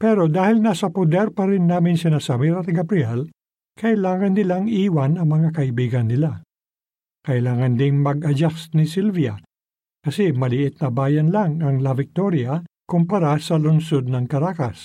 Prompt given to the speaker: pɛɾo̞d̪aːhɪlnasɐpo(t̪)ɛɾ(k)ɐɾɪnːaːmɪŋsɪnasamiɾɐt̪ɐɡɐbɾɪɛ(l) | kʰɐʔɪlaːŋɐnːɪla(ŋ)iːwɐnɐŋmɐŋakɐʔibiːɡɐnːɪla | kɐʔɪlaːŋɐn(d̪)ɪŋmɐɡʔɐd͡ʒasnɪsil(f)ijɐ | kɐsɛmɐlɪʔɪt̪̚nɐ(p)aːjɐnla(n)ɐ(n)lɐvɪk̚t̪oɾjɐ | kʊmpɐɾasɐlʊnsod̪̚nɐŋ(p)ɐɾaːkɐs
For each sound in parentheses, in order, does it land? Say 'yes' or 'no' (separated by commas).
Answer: no, no, yes, yes, yes, no, no, no, no, no